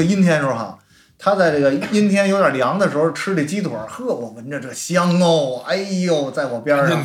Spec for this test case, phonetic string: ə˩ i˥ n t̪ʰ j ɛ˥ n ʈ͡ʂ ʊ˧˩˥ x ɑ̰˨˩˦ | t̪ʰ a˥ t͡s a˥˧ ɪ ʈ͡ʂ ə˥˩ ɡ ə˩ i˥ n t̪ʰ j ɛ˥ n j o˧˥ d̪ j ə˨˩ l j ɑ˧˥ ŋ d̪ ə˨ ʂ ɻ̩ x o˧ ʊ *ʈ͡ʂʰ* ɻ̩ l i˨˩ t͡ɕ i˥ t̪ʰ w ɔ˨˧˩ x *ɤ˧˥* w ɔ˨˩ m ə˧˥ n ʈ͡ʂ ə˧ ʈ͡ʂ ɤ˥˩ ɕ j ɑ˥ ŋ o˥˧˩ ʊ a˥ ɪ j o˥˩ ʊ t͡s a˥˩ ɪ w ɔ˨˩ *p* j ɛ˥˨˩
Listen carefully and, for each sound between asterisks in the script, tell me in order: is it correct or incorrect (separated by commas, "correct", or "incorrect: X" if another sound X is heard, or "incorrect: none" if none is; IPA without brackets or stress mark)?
correct, incorrect: ɤ˥˩, correct